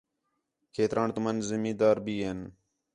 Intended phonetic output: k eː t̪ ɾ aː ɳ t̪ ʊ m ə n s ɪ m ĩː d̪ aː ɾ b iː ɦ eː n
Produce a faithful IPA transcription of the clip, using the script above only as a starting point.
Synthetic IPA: kʰ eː t̪ ɾ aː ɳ t̪ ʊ m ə n z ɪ m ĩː d̪ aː ɾ b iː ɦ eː n